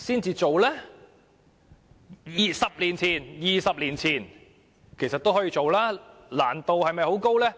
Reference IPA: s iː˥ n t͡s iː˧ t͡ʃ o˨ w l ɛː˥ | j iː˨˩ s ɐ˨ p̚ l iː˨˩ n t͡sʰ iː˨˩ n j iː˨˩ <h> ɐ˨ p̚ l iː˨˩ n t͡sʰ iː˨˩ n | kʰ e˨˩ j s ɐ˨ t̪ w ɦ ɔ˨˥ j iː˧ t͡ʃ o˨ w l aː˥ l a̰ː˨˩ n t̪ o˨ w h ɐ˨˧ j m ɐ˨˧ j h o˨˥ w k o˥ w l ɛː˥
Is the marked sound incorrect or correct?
incorrect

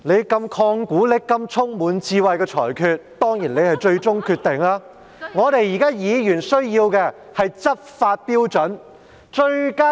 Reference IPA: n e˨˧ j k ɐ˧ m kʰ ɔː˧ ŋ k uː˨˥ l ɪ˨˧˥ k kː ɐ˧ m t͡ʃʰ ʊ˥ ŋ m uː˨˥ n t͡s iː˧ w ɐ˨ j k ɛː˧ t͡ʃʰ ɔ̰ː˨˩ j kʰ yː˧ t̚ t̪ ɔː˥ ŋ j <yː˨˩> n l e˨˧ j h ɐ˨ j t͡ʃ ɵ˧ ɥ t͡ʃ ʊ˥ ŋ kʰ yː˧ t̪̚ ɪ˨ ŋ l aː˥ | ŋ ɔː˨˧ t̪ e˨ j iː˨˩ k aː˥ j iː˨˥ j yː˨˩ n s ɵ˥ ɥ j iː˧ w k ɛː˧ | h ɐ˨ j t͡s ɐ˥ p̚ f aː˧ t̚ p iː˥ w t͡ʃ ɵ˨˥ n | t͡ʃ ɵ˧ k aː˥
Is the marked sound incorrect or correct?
incorrect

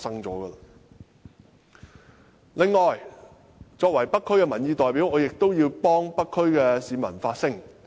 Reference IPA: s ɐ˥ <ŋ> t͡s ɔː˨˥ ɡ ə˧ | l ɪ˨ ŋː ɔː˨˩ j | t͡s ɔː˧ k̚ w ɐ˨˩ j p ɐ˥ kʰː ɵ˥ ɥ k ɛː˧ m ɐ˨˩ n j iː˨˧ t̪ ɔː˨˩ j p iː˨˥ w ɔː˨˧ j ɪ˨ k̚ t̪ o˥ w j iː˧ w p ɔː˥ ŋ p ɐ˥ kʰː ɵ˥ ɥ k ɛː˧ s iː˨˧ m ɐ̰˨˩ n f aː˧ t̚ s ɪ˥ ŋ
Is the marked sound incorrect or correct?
correct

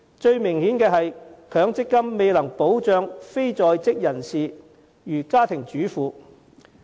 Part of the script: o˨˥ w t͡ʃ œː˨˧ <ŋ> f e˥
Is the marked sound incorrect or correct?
correct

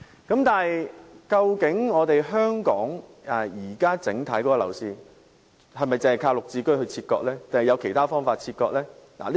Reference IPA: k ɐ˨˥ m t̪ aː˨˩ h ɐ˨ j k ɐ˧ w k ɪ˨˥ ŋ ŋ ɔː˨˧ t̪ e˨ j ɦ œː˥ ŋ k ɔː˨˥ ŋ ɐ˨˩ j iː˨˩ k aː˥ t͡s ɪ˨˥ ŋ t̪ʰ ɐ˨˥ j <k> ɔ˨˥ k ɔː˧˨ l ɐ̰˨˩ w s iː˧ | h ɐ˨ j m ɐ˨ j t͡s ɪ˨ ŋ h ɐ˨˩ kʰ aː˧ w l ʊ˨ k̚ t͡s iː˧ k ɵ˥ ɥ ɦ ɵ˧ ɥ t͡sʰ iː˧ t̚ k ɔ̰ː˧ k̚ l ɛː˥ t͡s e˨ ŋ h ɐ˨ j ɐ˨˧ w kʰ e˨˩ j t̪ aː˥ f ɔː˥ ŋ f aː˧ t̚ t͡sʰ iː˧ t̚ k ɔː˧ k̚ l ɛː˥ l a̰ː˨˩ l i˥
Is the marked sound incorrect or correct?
correct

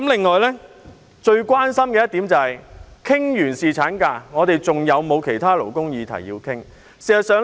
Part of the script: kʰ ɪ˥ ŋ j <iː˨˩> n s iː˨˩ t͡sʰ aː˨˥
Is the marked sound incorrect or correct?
incorrect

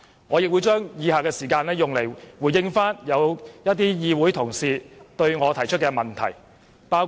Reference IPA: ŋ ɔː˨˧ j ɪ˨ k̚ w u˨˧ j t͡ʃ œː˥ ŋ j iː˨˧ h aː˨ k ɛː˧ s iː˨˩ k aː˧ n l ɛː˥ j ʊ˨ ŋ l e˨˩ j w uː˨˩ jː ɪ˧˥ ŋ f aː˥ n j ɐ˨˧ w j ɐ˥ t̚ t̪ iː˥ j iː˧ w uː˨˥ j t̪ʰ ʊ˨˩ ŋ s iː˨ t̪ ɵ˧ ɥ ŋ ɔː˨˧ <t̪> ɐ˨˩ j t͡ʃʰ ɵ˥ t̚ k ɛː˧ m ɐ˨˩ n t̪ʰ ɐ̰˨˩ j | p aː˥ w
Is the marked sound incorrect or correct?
incorrect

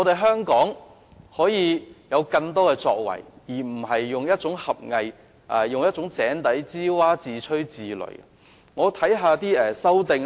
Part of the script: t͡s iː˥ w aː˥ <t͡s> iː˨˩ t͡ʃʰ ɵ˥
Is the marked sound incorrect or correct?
correct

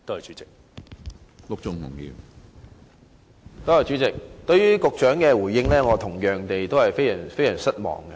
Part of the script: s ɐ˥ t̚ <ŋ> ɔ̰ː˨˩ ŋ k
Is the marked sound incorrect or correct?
incorrect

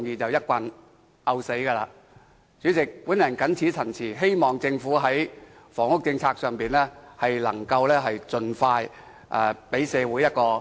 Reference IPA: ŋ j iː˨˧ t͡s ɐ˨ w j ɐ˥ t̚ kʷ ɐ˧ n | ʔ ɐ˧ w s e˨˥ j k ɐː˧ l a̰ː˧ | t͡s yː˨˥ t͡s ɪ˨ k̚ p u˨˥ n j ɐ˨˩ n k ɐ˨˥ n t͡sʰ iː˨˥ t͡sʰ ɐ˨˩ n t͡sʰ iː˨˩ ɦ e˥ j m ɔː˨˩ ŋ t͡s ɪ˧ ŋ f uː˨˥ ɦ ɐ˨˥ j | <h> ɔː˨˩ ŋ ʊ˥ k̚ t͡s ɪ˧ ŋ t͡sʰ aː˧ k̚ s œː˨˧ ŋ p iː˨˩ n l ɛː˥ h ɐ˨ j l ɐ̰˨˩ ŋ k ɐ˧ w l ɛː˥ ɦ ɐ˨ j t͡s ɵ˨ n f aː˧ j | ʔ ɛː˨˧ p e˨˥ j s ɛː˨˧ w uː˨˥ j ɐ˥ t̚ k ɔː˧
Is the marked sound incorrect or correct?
incorrect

